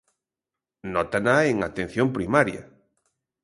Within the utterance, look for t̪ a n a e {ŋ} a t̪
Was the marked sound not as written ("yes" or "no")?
no